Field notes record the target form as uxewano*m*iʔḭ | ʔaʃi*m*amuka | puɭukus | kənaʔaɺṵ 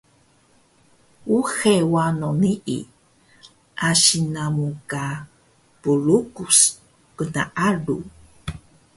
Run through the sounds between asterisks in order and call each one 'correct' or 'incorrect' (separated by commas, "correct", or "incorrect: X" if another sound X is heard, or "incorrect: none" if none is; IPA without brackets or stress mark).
incorrect: n, incorrect: n